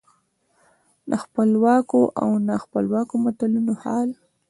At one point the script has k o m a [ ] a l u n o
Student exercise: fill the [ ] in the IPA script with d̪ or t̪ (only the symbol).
t̪